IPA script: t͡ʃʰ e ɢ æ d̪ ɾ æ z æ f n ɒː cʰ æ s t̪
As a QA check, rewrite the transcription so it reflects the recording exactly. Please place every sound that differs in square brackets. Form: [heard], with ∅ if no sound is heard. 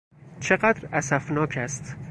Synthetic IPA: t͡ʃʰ e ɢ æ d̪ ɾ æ [s] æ f n ɒː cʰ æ s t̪